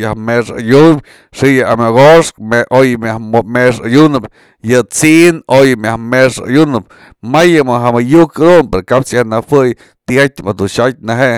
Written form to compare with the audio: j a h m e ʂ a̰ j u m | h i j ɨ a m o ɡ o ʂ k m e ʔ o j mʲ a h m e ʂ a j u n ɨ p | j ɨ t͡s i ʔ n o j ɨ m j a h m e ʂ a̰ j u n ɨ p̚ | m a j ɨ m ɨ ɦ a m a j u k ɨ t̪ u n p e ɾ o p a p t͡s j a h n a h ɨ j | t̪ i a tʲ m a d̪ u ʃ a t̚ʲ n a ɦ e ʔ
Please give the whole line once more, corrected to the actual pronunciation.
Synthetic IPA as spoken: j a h m e ʂ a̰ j u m | ʂ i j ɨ a m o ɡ o ʂ k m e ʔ o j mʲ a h m e ʂ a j u n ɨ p | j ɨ t͡s i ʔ n o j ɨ m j a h m e ʂ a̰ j u n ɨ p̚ | m a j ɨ m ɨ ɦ a m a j u k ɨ d̪ u n p e ɾ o k a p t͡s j a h n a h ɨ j | t̪ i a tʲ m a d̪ u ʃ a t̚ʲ n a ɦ e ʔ

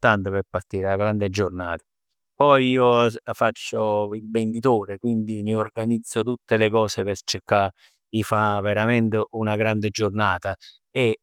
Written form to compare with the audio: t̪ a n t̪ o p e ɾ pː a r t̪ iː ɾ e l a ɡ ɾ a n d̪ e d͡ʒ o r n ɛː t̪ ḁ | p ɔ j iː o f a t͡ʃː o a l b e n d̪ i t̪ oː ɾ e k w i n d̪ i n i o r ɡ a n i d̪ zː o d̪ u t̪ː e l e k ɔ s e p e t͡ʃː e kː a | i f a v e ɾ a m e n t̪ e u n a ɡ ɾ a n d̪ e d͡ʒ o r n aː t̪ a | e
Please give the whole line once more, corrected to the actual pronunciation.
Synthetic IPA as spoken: t̪ a n t̪ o p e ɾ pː a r t̪ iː ɾ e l a ɡ ɾ a n d̪ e d͡ʒ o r n aː t̪ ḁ | p ɔ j iː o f a t͡ʃː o i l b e n d̪ i t̪ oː ɾ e k w i n d̪ i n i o r ɡ a n i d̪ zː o t̪ u t̪ː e l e k ɔː s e p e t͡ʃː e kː a | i f a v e ɾ a m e n t̪ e u n a ɡ ɾ a n d̪ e d͡ʒ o r n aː t̪ a | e

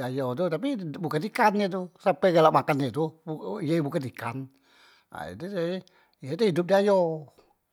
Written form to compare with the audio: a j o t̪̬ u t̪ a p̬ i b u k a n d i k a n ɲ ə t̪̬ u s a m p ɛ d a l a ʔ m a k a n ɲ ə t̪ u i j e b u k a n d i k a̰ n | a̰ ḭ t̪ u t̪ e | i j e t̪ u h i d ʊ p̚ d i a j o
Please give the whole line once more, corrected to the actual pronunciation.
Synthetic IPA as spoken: a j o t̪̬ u t̪ a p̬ i b u k a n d i k a n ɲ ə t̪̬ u s a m p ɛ ɡ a l a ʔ m a k a n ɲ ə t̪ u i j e b u k a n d i k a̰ n | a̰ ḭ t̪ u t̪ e | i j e t̪ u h i d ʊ p̚ d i a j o

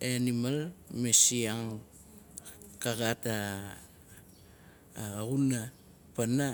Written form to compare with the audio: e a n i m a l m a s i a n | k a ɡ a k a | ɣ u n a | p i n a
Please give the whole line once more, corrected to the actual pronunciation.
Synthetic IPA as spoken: e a n i m a l m e s i a ŋ | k a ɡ a t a | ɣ u n a | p a n a

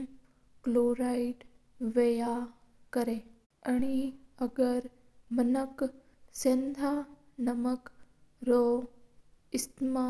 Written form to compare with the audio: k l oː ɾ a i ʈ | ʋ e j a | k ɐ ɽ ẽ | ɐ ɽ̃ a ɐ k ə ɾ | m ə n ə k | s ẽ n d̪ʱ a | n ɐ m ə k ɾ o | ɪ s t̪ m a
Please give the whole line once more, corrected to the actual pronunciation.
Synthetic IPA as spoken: k l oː ɾ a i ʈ | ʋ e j a | k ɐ ɾ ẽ | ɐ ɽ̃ i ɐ ɡ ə ɾ | m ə n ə k | s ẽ n d̪ʱ a | n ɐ m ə k ɾ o | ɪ s t̪ m a

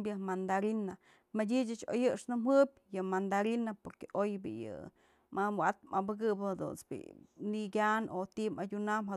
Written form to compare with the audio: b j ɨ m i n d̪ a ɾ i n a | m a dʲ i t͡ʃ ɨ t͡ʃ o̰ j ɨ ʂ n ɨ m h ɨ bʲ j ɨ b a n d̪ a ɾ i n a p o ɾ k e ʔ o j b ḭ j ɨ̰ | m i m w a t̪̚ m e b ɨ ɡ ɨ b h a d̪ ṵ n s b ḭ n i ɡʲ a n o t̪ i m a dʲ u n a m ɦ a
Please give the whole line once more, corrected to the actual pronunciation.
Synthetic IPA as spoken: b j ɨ m a n d̪ a ɾ i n a | m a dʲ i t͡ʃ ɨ t͡ʃ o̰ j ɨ ʂ n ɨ m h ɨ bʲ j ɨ m a n d̪ a ɾ i n a p o ɾ k e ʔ o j b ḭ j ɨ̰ | m a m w a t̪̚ m a b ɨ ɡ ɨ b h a d̪ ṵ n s b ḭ n i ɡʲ a n o t̪ i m a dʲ u n a m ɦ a

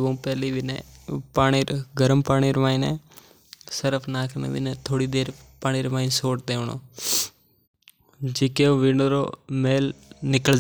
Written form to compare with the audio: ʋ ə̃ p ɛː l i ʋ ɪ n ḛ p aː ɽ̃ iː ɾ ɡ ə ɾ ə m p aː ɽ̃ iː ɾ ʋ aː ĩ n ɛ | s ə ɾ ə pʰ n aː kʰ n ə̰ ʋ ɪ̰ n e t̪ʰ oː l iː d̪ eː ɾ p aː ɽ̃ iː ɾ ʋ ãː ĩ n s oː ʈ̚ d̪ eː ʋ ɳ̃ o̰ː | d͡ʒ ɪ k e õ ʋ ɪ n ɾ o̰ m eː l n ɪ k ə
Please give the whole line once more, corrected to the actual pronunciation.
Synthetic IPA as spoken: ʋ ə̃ p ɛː l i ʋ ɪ n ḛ p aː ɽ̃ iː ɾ ɡ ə ɾ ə m p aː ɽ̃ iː ɾ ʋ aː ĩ n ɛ | s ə ɾ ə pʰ n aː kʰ n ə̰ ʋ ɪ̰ n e t̪ʰ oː ɽ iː d̪ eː ɾ p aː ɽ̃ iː ɾ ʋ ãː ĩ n s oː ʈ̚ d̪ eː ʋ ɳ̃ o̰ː | d͡ʒ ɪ k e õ ʋ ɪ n ɾ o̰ m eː l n ɪ k ə

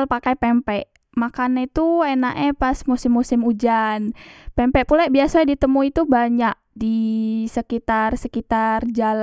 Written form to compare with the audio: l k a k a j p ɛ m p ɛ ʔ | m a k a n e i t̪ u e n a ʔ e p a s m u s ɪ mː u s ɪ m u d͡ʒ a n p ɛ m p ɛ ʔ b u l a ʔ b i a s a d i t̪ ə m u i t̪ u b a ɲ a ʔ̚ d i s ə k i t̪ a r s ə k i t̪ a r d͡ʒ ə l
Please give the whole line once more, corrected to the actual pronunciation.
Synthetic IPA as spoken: l p a k a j p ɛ m p ɛ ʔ | m a k a n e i t̪ u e n a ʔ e p a s m u s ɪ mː u s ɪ m u d͡ʒ a n p ɛ m p ɛ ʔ p u l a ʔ b i a s a d i t̪ ə m u i t̪ u b a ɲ a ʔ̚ d i s ə k i t̪ a r s ə k i t̪ a r d͡ʒ a l

